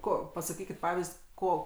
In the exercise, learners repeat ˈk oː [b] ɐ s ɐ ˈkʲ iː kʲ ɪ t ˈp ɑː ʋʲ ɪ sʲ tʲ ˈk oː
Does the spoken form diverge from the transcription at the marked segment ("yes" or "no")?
yes